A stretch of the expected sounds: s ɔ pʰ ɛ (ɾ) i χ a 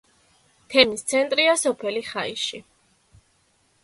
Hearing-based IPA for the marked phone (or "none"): l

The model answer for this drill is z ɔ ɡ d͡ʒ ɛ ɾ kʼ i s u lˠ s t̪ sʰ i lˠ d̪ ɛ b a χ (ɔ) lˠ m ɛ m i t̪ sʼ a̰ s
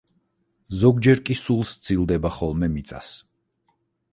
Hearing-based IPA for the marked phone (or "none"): ɔ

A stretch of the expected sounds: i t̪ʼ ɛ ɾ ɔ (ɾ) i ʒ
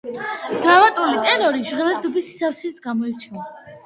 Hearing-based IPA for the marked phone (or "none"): ɾ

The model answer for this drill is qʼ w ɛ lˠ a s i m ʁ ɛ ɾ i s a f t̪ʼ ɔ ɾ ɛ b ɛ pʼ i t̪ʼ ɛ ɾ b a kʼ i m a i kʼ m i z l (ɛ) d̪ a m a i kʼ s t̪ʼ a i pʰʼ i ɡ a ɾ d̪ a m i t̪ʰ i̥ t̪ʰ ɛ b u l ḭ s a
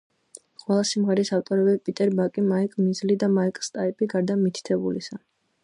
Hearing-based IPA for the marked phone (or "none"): i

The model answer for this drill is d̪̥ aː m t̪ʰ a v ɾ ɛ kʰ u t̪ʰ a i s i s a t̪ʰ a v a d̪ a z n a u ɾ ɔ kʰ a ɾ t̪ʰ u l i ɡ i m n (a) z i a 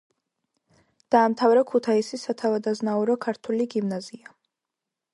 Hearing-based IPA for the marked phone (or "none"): a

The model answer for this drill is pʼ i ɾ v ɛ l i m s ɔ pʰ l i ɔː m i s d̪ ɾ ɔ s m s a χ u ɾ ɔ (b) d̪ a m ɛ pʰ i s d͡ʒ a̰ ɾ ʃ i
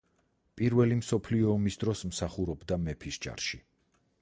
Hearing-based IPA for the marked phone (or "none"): b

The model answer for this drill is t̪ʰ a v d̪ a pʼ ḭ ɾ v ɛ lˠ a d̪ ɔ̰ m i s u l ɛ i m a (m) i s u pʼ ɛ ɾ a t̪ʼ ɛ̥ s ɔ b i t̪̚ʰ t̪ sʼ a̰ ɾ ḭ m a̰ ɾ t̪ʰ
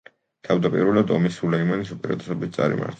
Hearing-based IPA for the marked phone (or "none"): n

